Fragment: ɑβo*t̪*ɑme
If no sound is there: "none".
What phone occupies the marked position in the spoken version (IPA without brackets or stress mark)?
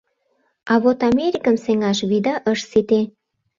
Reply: t̪